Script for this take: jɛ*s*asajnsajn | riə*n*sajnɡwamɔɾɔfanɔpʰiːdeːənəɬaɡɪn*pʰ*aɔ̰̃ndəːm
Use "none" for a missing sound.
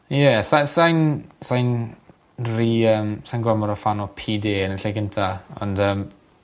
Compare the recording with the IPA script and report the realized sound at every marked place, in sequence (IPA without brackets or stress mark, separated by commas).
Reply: s, m, tʰ